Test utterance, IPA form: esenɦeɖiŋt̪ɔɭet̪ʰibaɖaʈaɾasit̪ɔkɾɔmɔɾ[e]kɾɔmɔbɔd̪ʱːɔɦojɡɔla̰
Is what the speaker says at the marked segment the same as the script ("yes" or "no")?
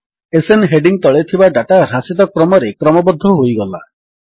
yes